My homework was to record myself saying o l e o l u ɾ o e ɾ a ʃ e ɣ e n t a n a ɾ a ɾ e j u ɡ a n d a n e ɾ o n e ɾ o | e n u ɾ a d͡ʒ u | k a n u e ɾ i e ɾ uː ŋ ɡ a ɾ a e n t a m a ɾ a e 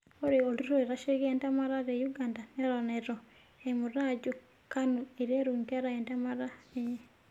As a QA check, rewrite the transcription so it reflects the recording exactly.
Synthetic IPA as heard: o ɾ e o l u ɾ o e ɾ a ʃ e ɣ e n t a m a ɾ a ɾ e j u ɡ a n d a n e ɾ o n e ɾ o | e m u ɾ a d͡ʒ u | k a n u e ɾ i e ɾ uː ŋ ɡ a ɾ a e n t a m a ɾ a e